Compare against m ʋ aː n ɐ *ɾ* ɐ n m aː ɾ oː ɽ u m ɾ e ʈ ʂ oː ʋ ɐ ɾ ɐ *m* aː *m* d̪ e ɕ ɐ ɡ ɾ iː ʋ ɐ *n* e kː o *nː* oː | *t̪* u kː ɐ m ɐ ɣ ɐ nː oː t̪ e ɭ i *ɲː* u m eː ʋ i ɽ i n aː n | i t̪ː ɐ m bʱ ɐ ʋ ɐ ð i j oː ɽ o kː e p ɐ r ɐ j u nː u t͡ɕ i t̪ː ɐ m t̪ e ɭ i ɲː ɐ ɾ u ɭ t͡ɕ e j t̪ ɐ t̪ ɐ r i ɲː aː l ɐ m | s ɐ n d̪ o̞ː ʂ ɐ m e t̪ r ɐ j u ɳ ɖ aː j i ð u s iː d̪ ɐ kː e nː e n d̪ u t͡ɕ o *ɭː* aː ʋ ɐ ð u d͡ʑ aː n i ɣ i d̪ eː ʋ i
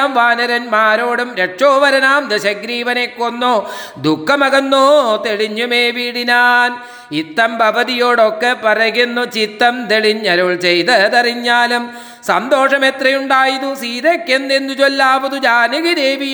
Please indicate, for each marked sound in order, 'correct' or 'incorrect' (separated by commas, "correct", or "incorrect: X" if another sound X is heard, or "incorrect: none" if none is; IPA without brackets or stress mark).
correct, incorrect: n, correct, correct, correct, incorrect: d̪, correct, incorrect: lː